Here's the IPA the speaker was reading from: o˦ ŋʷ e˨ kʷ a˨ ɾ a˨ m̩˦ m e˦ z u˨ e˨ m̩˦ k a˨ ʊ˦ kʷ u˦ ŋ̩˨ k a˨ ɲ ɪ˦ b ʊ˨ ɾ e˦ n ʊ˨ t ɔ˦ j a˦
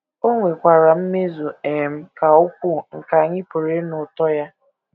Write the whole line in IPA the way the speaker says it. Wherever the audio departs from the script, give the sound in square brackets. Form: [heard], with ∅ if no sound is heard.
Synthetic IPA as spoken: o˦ ŋʷ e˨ kʷ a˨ ɾ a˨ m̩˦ m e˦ z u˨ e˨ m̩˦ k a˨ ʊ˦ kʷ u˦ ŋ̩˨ k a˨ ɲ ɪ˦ [p] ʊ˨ ɾ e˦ n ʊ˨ t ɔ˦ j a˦